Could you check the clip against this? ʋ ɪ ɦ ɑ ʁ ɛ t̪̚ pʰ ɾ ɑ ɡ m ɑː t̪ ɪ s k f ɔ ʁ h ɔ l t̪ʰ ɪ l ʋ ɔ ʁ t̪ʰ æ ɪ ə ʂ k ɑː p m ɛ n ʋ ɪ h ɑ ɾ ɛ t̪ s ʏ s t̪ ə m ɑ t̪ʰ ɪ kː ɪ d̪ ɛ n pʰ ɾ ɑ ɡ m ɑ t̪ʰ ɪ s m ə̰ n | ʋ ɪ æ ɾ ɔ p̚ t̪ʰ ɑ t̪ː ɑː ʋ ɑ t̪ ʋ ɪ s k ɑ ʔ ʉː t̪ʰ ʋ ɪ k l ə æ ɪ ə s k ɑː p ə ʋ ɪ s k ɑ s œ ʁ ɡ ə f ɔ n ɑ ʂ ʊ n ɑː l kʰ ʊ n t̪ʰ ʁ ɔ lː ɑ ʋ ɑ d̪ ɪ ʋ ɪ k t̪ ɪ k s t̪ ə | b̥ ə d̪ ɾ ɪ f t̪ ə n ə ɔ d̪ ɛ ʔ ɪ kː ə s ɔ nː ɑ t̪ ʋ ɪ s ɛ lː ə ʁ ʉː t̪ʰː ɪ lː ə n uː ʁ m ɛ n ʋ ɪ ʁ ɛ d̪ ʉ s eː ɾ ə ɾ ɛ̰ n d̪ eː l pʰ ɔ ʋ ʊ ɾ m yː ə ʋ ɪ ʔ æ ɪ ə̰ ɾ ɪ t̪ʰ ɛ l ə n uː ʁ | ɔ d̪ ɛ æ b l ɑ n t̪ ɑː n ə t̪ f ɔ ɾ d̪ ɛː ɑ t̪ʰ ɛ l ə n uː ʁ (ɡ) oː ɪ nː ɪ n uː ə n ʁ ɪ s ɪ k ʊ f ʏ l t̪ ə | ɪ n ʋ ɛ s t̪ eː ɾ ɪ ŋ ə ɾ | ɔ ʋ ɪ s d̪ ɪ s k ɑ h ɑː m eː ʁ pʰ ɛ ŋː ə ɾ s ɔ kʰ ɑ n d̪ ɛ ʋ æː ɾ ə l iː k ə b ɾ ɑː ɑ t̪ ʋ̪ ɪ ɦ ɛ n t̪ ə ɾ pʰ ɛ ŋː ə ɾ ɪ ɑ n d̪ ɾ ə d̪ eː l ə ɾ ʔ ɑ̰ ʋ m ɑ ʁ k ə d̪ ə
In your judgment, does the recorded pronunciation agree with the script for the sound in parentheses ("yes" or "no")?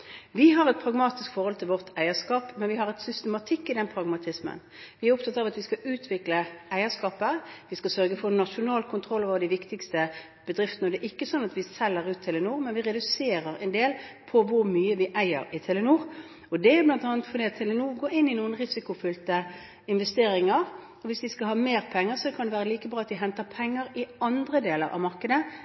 yes